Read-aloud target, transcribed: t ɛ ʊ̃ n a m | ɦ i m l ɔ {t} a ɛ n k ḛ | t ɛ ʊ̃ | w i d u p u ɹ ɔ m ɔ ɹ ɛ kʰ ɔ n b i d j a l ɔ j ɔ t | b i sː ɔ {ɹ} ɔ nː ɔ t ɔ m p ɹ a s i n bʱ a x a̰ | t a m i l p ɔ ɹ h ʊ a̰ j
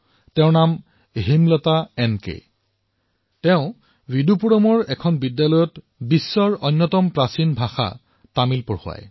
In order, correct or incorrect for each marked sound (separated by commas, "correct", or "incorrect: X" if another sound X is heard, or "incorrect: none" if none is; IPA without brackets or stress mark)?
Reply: correct, correct